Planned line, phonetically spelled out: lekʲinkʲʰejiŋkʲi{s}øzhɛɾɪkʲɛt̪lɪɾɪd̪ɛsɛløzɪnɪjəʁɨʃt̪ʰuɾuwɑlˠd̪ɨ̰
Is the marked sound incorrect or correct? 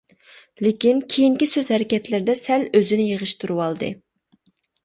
correct